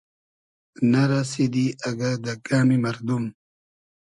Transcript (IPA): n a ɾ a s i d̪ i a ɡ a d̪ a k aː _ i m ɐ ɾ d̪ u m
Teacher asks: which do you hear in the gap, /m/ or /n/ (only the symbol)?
m